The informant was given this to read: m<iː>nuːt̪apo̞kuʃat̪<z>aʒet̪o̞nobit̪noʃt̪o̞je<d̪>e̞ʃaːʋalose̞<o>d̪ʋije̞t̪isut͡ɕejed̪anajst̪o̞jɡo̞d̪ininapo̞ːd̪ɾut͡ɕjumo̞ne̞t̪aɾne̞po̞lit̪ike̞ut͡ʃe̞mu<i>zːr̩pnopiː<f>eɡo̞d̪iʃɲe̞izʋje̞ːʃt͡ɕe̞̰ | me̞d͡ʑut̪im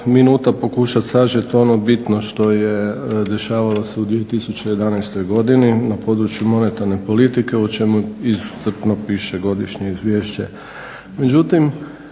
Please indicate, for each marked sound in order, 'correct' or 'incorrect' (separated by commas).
incorrect, incorrect, correct, incorrect, correct, incorrect